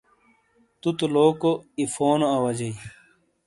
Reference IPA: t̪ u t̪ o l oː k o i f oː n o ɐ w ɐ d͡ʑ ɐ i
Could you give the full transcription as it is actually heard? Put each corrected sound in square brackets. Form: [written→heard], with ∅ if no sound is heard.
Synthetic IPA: t̪ u t̪ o l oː k o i f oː n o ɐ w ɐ d͡ʑ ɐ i